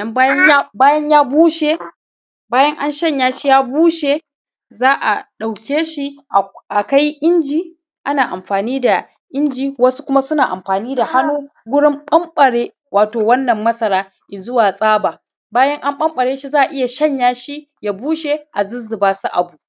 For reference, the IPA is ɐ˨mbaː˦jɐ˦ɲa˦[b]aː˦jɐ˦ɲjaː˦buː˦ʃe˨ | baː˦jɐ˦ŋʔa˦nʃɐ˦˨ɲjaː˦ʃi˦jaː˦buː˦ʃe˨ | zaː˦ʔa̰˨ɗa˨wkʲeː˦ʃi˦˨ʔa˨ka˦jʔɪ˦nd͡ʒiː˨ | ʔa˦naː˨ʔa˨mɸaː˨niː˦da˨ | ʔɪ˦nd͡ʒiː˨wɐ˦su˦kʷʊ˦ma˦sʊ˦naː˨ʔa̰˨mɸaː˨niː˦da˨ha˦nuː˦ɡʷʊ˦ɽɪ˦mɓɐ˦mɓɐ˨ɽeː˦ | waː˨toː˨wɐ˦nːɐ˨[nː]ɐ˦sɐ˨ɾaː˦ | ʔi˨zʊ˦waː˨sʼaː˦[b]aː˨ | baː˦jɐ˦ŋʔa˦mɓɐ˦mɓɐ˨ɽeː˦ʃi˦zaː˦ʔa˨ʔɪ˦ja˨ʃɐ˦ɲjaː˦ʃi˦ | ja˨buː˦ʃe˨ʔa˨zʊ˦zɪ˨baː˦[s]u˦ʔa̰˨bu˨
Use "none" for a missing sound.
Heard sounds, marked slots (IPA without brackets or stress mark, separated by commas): b, mː, b, s